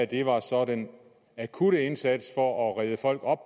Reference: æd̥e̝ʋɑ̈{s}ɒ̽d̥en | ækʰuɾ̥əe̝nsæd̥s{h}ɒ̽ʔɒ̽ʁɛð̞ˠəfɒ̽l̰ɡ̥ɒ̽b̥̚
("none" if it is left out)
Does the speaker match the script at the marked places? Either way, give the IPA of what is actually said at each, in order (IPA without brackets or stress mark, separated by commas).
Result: s, f